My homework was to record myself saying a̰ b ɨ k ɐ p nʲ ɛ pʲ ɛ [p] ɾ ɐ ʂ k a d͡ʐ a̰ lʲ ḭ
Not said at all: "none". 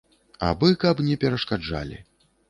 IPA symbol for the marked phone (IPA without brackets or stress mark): none